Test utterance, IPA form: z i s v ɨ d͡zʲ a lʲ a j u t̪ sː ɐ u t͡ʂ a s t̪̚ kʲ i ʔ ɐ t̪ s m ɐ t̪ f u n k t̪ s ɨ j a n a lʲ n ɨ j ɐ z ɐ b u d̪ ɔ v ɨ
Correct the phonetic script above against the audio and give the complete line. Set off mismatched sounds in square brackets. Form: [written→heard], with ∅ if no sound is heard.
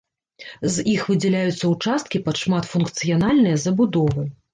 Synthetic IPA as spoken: z i [s→x] v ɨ d͡zʲ [a→ɛ] lʲ a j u t̪ sː ɐ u t͡ʂ a s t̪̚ kʲ i [ʔ→p] ɐ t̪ [s→ʂ] m [ɐ→a] t̪ f u n k t̪ s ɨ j a n a lʲ n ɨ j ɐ z ɐ b u d̪ ɔ v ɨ